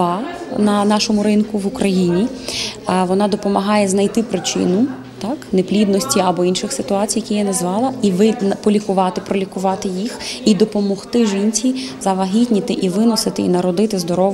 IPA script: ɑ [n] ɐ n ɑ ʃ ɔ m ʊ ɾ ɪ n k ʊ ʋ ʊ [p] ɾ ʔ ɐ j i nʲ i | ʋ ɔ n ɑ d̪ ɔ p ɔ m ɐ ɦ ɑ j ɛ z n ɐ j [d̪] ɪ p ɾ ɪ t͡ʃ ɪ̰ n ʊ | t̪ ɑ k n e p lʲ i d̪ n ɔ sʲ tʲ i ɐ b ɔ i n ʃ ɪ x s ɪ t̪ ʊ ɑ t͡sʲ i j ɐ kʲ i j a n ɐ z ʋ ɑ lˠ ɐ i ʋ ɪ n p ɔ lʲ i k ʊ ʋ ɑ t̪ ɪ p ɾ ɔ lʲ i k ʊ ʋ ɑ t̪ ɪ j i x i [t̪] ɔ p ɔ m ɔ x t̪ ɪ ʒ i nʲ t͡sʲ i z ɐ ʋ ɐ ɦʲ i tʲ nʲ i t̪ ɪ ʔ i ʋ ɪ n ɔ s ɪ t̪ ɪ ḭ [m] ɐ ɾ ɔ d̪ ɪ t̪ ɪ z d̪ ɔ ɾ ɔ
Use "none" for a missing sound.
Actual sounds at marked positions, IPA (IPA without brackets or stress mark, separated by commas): n, k, t̪, d̪, n